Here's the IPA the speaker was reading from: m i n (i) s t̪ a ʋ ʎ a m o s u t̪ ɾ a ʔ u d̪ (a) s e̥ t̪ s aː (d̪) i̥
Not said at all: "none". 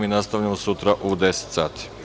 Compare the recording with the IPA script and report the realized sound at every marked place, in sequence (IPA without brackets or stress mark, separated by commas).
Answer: a, e, t̪